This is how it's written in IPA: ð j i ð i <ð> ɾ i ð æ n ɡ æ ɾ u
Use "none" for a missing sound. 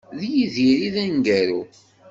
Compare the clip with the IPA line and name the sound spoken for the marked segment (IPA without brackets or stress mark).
none